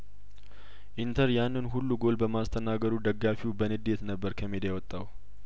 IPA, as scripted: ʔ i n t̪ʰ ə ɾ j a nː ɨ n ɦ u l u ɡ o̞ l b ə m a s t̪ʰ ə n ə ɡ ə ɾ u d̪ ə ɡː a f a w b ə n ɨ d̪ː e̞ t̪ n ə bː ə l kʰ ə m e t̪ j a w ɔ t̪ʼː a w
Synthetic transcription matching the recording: ʔ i n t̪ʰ ə ɾ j a nː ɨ n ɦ u lː u ɡ o̞ l b ə m a s t̪ʰ ə n a ɡ ə ɾ u d̪ ə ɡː a f i w b ə n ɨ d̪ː e̞ t̪ n ə bː ə ɾ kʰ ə m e d̪ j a w ɔ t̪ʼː a w